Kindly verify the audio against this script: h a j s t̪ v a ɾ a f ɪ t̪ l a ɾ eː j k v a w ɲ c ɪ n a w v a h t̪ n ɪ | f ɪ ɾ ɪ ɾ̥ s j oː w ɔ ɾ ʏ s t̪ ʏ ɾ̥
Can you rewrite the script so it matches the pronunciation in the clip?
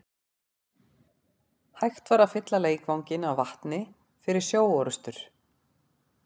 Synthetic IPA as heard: h a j x t̪ v a ɾ a f ɪ t̪ l a l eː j k v a w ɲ c ɪ n a w v a h t̪ n ɪ | f ɪ ɾ ɪ ɾ̥ s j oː w ɔ ɾ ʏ s t̪ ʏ ɾ̥

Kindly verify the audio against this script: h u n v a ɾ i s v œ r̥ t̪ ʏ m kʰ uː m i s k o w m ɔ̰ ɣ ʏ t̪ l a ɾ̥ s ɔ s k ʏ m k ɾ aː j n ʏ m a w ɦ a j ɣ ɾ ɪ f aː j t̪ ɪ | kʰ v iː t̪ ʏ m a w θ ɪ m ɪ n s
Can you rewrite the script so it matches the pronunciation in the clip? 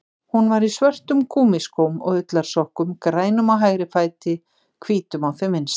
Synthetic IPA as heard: h u n v a ɾ i s v œ r̥ t̪ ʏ m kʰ uː m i s k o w m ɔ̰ ɣ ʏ t̪ l a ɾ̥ s ɔ h k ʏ m k ɾ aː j n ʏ m a w ɦ a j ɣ ɾ ɪ f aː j t̪ ɪ | kʰ v iː t̪ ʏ m a w θ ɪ m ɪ n s

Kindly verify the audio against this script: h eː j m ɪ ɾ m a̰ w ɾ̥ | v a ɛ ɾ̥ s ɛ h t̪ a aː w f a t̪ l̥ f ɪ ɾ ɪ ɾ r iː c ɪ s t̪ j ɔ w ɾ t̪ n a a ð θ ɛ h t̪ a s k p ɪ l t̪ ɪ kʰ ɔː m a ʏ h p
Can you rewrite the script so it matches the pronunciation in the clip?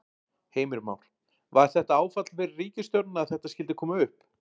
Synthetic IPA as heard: h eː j m ɪ ɾ m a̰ w ɾ̥ | v a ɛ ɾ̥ θ ɛ h t̪ a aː w f a t̪ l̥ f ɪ ɾ ɪ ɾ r iː c ɪ s t̪ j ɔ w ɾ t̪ n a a ð θ ɛ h t̪ a s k c ɪ l t̪ ɪ kʰ ɔː m a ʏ h p

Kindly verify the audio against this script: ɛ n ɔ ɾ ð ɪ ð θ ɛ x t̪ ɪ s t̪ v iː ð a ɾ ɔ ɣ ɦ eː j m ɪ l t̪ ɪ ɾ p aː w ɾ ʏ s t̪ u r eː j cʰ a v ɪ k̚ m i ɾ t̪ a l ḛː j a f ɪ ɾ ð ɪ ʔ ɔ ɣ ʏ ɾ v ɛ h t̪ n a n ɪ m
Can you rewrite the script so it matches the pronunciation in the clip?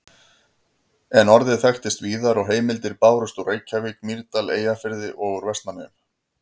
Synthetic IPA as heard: ɛ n ɔ ɾ ð ɪ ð θ ɛ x t̪ ɪ s t̪ v iː ð a ɾ ɔ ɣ ɦ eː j m ɪ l t̪ ɪ ɾ p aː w ɾ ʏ s t̪ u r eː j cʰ a v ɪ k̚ m i ɾ t̪ a l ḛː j a f ɪ ɾ ð ɪ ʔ ɔ ɣ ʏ ɾ v ɛ s t̪ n a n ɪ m

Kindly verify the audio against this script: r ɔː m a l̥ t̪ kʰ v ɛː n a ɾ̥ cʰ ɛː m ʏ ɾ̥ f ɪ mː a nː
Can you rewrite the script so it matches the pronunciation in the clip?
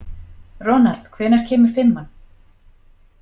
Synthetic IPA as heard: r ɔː n a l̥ t̪ kʰ v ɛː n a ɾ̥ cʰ ɛː m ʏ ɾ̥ f ɪ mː a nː

